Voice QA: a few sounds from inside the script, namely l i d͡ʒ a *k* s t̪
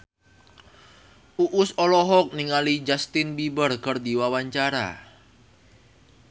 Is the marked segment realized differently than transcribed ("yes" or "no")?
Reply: yes